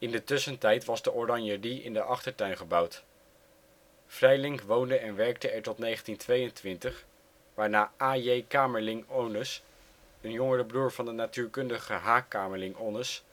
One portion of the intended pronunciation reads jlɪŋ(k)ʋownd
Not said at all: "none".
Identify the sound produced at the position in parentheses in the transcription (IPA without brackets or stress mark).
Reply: k